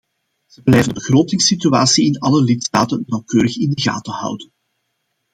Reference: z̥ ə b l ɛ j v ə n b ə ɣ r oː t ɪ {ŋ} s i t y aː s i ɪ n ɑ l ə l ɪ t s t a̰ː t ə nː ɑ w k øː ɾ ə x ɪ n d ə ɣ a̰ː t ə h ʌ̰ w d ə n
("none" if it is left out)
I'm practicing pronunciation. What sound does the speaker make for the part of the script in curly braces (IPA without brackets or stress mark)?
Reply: ŋ